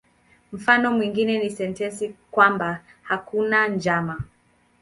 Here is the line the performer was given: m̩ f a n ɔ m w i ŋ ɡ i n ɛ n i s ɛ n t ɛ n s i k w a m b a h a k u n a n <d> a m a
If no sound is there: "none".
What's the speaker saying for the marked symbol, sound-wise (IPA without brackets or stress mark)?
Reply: d͡ʒ